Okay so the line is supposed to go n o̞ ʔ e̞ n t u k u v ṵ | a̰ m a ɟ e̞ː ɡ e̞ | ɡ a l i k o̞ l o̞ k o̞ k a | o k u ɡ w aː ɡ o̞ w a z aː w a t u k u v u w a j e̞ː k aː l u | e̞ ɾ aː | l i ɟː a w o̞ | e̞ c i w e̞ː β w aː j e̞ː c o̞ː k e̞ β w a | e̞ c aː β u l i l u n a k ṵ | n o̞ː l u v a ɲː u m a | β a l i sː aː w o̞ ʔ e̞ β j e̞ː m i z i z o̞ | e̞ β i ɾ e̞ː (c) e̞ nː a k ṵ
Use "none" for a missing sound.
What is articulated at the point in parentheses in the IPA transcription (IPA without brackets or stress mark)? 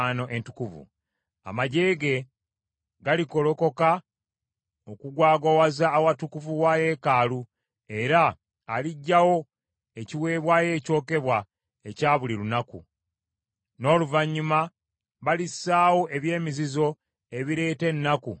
t